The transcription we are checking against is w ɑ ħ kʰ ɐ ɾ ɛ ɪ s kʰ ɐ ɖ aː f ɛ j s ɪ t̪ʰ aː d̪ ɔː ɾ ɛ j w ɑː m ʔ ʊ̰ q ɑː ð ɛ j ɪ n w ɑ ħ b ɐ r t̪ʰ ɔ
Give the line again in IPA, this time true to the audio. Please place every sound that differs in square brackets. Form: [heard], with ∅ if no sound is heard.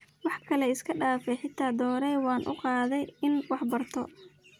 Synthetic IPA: w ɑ ħ kʰ ɐ [l] ɛ ɪ s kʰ ɐ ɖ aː f ɛ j [ħ] ɪ t̪ʰ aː d̪ ɔː ɾ ɛ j w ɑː [n] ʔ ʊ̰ q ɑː ð ɛ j ɪ n w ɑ ħ b ɐ r t̪ʰ ɔ